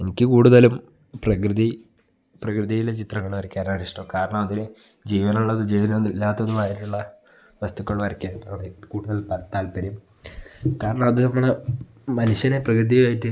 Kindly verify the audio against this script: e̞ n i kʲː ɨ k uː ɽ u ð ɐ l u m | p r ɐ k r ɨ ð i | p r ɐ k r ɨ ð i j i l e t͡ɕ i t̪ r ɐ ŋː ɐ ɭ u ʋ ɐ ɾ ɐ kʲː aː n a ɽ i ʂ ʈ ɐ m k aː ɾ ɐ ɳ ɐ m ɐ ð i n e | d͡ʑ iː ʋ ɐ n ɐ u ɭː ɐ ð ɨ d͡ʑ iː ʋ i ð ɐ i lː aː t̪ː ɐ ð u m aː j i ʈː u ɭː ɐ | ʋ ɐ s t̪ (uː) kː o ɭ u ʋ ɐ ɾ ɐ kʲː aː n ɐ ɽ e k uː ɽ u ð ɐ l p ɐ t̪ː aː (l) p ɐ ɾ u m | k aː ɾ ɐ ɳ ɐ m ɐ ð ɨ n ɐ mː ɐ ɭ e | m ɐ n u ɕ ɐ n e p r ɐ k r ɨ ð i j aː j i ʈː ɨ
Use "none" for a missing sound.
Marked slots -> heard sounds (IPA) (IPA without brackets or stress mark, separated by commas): u, l